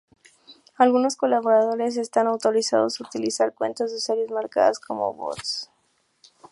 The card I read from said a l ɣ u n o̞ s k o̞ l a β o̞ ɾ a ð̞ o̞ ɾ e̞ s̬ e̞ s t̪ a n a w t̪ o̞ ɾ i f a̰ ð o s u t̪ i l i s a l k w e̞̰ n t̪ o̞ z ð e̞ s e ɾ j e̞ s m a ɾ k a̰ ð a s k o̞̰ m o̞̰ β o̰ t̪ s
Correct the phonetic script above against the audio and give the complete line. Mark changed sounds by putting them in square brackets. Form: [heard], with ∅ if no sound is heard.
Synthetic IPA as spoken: a l ɣ u n o̞ s k o̞ l a β o̞ ɾ a ð̞ o̞ ɾ e̞ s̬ e̞ s t̪ a n a w t̪ o̞ ɾ i [s] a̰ ð o s u t̪ i l i s a [ɾ] k w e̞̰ n t̪ o̞ z ð e̞ s e ɾ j e̞ [z] m a ɾ k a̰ ð a s k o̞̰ m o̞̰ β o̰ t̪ s